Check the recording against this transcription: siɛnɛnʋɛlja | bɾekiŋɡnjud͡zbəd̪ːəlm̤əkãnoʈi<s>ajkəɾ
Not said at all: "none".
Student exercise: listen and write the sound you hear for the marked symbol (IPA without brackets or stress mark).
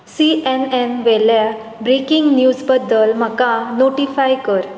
f